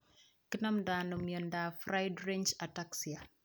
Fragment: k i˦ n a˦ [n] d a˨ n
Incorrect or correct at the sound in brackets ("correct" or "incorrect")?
incorrect